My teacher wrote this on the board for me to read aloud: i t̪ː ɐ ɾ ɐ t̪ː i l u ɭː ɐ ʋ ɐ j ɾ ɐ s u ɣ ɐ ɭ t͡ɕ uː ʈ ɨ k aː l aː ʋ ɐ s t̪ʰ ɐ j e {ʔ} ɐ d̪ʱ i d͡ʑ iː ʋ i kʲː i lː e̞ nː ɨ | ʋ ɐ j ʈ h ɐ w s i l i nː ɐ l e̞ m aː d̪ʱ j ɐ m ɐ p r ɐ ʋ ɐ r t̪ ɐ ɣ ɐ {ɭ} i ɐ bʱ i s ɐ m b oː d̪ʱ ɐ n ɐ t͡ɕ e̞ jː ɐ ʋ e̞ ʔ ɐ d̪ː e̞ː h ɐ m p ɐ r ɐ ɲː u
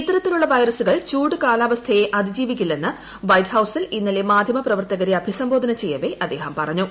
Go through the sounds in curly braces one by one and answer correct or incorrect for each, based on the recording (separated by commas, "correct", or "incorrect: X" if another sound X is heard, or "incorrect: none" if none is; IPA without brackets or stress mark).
correct, incorrect: ɾ